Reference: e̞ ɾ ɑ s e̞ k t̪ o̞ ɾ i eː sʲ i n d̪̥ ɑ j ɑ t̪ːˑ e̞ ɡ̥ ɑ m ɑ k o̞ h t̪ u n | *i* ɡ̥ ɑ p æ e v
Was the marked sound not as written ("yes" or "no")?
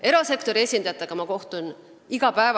no